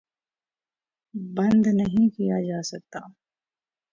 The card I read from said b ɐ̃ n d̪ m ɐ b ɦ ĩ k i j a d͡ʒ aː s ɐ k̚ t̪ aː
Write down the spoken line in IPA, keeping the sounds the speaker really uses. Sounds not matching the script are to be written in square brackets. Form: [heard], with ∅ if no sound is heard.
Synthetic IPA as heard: b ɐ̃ n d̪ [n] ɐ [∅] ɦ ĩ k i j a d͡ʒ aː s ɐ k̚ t̪ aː